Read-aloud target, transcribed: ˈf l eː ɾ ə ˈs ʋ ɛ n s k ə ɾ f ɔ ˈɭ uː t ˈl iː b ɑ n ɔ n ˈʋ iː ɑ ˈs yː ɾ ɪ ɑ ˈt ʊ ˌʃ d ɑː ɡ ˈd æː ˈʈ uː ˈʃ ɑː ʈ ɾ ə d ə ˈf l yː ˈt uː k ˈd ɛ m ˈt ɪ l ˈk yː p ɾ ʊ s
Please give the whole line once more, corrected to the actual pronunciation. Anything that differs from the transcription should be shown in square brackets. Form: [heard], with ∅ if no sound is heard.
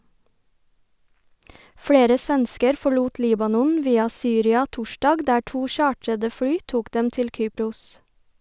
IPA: ˈf [ɽ] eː ɾ ə ˈs ʋ ɛ n s k ə ɾ f ɔ ˈɭ uː t ˈl iː b ɑ n ɔ n ˈʋ iː ɑ ˈs yː ɾ ɪ ɑ ˈt ʊ ˌʃ d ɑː ɡ ˈd æː ˈʈ uː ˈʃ ɑː ʈ ɾ ə d ə ˈf [ɽ] yː ˈt uː k ˈd ɛ m ˈt ɪ l ˈk yː p ɾ ʊ s